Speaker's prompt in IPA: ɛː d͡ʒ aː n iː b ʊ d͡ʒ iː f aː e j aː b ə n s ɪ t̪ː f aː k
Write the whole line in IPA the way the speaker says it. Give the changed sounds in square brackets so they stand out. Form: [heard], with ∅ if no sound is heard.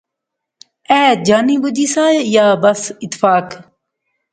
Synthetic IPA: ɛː d͡ʒ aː n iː b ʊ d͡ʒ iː [s] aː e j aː b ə [∅] s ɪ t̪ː f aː k

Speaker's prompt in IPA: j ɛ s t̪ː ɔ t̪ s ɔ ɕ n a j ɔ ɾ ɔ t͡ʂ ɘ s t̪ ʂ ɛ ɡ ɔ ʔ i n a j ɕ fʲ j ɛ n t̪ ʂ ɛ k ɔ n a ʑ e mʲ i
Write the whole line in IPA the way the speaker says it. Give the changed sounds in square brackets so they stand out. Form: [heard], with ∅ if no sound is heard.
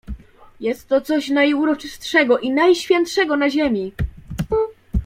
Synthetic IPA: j ɛ s t̪ː ɔ t̪ s ɔ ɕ n a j [u] ɾ ɔ t͡ʂ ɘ s t̪ ʂ ɛ ɡ ɔ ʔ i n a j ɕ fʲ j ɛ n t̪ ʂ ɛ [ɡ] ɔ n a ʑ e mʲ i

